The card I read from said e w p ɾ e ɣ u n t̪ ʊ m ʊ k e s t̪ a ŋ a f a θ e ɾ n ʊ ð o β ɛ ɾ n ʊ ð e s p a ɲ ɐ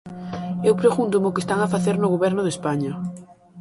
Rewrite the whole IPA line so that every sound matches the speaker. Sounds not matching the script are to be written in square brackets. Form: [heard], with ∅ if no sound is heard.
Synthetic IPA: e w p ɾ e ɣ u n t̪ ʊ m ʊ k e s t̪ a ŋ a f a θ e ɾ n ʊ [ɣ] o β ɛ ɾ n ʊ ð e s p a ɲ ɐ